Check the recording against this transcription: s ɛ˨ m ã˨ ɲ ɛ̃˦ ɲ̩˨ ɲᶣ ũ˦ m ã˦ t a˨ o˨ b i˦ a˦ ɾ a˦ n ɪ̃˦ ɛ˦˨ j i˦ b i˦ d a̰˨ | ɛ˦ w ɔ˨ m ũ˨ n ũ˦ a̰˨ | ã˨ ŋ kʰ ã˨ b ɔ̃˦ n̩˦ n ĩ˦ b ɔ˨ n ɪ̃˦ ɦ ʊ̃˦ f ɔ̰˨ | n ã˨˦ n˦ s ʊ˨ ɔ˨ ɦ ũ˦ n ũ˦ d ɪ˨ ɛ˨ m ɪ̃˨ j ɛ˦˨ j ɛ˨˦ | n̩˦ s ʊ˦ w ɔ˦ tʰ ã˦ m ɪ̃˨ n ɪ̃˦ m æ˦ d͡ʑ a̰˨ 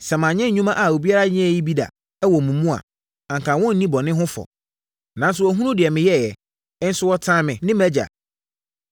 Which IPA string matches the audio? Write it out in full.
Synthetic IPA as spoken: s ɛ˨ m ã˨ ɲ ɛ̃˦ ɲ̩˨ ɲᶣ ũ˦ m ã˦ ʔ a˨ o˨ b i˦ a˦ ɾ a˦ ɲ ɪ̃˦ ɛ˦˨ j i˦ b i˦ d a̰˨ | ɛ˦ w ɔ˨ m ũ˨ m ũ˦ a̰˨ | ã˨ ŋ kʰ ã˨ w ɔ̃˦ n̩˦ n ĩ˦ b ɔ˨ n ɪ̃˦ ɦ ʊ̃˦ f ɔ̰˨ | n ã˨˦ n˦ s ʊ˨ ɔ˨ ɦ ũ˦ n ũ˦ d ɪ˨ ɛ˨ m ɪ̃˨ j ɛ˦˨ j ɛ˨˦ | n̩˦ s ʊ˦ w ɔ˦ tʰ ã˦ m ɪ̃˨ n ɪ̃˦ m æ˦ d͡ʑ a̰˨

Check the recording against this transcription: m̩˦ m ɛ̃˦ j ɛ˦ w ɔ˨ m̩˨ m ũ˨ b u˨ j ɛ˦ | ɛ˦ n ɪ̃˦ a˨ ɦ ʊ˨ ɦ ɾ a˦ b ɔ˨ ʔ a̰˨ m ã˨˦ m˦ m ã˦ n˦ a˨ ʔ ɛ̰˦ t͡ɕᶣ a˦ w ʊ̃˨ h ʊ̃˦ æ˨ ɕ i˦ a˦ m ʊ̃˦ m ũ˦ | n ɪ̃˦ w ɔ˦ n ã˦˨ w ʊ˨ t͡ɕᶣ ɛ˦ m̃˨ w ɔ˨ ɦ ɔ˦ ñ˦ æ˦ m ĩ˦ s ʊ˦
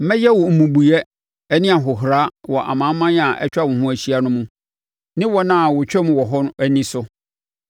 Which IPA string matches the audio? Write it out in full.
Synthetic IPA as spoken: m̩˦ m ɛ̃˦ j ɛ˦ w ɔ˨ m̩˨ m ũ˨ b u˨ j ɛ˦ | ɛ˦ n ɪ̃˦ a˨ ɦ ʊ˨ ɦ ɾ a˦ w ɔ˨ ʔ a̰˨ m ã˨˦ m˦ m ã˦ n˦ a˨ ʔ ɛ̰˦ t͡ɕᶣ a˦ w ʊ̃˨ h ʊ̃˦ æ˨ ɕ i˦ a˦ n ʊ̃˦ m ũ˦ | n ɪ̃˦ w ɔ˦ n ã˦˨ w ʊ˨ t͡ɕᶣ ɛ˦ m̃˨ w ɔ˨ ɦ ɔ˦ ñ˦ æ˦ n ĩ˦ s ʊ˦

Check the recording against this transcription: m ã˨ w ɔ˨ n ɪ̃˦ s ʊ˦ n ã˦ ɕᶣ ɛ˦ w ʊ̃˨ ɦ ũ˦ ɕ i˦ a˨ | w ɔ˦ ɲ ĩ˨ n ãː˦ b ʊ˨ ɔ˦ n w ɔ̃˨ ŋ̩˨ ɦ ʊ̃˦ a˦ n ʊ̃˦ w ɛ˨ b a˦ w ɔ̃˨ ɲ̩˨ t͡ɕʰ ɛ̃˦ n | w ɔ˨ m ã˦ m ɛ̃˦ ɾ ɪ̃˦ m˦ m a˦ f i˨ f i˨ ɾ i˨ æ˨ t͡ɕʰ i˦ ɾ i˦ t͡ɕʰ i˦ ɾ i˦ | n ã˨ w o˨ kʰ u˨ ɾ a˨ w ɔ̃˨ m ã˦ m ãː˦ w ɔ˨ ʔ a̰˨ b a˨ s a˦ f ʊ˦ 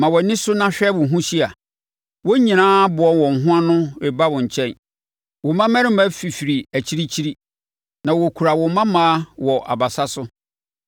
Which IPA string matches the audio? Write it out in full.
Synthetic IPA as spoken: m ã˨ w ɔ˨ n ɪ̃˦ s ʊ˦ n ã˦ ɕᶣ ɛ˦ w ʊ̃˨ ɦ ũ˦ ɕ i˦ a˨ | w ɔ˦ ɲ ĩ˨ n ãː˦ b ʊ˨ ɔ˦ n w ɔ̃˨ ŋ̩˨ ɦ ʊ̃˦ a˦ n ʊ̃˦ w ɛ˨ b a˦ w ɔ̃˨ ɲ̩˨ t͡ɕʰ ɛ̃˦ n | w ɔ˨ m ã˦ m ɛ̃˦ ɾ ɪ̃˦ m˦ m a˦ f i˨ f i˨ ɾ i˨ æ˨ t͡ɕʰ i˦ ɾ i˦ t͡ɕʰ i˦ ɾ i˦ | n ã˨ w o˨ kʰ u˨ ɾ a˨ w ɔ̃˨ m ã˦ m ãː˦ w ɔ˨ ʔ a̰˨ b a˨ s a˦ s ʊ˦

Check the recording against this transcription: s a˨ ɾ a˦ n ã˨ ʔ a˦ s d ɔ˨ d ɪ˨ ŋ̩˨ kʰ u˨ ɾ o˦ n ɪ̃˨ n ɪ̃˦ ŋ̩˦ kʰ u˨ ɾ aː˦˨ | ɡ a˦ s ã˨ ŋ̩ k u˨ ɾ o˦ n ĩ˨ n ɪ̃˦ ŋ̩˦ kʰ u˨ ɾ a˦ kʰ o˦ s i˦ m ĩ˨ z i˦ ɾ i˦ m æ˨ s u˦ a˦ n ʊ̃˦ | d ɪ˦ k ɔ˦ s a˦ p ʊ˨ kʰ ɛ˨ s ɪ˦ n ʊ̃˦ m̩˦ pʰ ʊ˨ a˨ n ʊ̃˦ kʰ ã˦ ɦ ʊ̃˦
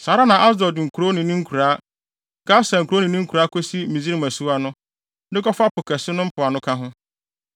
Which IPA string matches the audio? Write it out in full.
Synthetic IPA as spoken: s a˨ ɾ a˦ n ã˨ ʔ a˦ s d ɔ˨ d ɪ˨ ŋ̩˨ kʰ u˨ ɾ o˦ n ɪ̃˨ n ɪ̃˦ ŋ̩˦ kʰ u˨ ɾ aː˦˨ | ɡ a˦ s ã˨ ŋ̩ k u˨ ɾ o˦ n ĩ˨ n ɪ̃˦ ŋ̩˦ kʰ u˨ ɾ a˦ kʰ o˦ s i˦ m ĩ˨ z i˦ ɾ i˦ m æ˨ s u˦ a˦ n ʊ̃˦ | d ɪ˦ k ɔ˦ f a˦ p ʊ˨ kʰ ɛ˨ s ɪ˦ n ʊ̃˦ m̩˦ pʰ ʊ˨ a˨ n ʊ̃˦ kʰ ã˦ ɦ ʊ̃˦

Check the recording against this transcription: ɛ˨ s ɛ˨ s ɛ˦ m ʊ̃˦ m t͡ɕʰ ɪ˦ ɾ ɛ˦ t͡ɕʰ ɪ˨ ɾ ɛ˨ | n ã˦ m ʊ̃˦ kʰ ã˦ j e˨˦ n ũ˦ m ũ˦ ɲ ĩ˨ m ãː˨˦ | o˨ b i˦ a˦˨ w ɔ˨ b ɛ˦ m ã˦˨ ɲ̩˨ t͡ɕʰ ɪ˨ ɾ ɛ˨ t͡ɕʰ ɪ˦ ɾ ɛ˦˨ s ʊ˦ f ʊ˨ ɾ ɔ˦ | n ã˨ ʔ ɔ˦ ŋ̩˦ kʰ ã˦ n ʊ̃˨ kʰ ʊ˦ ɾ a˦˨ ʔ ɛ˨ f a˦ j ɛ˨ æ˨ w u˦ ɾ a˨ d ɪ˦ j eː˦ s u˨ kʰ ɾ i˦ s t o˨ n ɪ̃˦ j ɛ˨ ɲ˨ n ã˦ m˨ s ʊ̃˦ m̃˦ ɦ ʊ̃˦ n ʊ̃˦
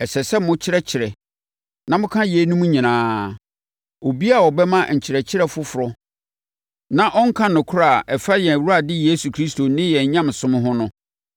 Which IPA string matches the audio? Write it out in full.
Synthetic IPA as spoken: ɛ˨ s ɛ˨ s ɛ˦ m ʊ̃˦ t͡ɕʰ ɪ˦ ɾ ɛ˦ t͡ɕʰ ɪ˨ ɾ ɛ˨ | n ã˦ m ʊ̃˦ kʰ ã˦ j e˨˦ n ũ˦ m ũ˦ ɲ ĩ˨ n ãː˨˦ | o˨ b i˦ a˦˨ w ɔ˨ b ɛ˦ m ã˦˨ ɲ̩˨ t͡ɕʰ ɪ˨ ɾ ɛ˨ t͡ɕʰ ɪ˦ ɾ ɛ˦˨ f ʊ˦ f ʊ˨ ɾ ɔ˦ | n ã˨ ʔ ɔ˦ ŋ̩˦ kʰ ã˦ n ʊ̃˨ kʰ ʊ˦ ɾ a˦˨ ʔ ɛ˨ f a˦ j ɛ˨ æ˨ w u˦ ɾ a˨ d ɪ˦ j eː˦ s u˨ kʰ ɾ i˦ s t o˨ n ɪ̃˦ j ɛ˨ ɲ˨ ɲ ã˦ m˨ s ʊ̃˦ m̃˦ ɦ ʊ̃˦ n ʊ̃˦

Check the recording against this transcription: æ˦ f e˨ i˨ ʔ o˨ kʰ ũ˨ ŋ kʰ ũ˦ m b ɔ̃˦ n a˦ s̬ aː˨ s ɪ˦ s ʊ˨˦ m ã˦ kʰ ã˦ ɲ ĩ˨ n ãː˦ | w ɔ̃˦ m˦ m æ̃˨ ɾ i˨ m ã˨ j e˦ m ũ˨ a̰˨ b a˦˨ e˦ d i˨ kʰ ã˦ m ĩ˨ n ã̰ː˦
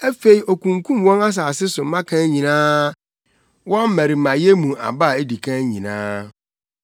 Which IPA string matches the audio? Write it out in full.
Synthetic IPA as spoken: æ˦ f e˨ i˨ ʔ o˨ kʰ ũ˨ ŋ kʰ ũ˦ m w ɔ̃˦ n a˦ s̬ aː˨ s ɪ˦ s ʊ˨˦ m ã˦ kʰ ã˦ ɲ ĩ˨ n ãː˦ | w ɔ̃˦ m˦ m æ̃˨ ɾ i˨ m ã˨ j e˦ m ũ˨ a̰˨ b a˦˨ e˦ d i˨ kʰ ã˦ ɲ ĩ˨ n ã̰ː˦

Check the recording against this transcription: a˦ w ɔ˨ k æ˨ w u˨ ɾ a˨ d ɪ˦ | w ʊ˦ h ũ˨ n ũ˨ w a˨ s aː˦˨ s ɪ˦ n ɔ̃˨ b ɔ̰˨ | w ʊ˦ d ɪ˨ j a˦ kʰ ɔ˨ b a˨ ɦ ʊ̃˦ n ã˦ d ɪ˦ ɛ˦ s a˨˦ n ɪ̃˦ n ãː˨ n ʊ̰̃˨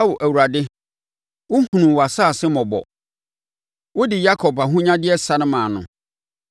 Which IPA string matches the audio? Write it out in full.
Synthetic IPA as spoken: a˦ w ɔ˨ ʔ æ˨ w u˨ ɾ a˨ d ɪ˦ | w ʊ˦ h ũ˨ n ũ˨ w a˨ s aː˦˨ s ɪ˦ m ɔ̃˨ b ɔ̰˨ | w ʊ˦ d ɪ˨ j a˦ kʰ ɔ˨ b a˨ ɦ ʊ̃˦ ɲ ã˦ d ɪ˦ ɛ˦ s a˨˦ n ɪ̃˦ m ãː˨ n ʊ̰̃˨

